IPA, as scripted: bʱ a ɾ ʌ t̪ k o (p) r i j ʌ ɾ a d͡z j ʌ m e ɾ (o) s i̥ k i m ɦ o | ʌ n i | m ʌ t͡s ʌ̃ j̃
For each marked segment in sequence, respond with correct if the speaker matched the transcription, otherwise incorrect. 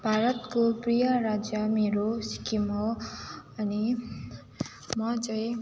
correct, correct

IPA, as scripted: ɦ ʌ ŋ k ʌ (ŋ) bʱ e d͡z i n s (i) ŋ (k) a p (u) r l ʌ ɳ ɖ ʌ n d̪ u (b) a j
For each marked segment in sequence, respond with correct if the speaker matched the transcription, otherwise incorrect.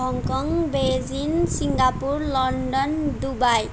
correct, correct, incorrect, correct, correct

